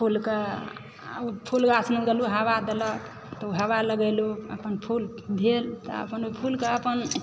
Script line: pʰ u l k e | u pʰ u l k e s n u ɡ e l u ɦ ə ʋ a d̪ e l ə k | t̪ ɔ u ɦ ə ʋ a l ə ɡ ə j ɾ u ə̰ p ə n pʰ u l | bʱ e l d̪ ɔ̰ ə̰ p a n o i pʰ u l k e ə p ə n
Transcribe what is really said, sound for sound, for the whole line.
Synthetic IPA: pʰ u l k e | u pʰ u l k a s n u ɡ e l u ɦ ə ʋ a d̪ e l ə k | t̪ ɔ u ɦ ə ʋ a l ə ɡ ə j l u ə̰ p ə n pʰ u l | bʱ e l t̪ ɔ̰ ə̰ p ə n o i pʰ u l k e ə p ə n